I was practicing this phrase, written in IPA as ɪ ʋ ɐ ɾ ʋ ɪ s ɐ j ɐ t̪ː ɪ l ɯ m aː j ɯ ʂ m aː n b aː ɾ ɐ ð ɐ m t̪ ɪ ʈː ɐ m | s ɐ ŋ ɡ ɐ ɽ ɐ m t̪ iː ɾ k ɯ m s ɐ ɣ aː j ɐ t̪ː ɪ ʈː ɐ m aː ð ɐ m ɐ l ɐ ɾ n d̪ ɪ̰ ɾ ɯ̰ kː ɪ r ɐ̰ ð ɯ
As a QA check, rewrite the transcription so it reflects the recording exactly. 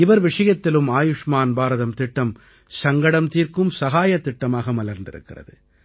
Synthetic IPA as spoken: ɪ ʋ ɐ ɾ ʋ ɪ ʂ ɐ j ɐ t̪ː ɪ l ɯ m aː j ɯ ʂ m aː n b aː ɾ ɐ ð ɐ m t̪ ɪ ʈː ɐ m | s ɐ ŋ ɡ ɐ ɽ ɐ m t̪ iː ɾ k ɯ m s ɐ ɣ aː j ɐ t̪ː ɪ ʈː ɐ m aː ɣ ɐ m ɐ l ɐ ɾ n d̪ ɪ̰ ɾ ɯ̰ kː ɪ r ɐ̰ ð ɯ